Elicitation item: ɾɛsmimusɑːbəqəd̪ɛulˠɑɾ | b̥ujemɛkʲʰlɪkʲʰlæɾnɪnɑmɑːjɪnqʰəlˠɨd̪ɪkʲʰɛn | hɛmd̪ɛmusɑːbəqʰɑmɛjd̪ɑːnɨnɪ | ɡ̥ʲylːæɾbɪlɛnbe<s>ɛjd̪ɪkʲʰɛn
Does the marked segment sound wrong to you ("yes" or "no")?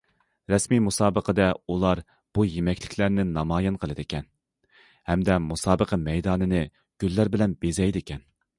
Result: yes